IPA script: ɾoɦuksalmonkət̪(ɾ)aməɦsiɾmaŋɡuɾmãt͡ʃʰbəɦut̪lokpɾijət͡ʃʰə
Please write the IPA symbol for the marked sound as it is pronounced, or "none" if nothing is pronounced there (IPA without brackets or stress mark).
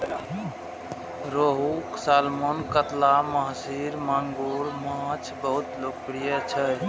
l